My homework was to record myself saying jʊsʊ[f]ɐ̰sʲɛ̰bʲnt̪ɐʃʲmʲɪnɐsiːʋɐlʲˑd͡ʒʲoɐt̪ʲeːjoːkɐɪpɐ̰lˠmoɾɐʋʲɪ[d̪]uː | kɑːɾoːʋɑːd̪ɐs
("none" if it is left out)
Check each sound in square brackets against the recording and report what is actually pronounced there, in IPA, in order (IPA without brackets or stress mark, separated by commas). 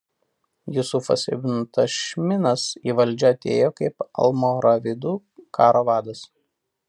f, d̪